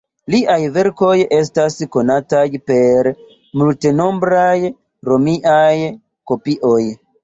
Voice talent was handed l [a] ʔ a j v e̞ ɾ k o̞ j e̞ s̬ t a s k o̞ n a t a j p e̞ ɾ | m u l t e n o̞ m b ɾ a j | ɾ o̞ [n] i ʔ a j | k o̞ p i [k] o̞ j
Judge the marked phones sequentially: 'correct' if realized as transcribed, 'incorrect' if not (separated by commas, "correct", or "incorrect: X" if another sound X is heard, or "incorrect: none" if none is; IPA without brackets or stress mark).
incorrect: i, incorrect: m, incorrect: ʔ